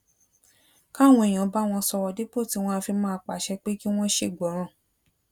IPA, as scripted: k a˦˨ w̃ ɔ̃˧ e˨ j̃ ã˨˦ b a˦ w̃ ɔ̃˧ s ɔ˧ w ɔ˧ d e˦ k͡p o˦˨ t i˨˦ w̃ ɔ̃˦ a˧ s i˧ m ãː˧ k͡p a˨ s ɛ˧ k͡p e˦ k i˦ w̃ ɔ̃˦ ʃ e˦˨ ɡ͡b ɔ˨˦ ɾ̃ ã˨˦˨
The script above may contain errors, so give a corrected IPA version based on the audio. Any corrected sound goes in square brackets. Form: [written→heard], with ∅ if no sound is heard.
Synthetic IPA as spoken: k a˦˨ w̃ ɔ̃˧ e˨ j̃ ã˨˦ b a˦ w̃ ɔ̃˧ s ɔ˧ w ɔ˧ d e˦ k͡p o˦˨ t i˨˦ w̃ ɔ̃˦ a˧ [s→f] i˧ m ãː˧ k͡p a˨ [s→ʃ] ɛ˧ k͡p e˦ k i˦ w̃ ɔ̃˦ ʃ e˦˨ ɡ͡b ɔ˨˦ ɾ̃ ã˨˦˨